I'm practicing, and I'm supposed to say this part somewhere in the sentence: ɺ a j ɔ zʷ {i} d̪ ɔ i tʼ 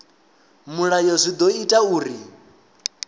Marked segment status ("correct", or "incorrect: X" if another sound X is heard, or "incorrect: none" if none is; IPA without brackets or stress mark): correct